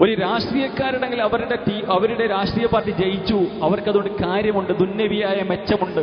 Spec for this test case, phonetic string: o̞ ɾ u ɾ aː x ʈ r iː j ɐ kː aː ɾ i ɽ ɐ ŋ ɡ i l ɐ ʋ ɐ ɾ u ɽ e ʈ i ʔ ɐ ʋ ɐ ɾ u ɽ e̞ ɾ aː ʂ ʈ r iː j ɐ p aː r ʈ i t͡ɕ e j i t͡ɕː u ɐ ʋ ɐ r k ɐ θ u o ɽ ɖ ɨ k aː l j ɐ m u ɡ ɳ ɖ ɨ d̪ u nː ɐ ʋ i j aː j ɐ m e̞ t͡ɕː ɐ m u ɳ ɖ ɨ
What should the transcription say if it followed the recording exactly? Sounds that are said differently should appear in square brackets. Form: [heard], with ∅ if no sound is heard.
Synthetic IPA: o̞ ɾ u ɾ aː [ʂ] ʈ r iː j ɐ kː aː ɾ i ɽ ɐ ŋ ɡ i l ɐ ʋ ɐ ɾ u ɽ e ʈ i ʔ ɐ ʋ ɐ ɾ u ɽ e̞ ɾ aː ʂ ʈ r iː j ɐ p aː r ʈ i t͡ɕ e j i t͡ɕː u ɐ ʋ ɐ r k ɐ [ð] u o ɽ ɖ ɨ k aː [ɾ] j ɐ m u [∅] ɳ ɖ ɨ d̪ u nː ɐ ʋ i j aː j ɐ m e̞ t͡ɕː ɐ m u ɳ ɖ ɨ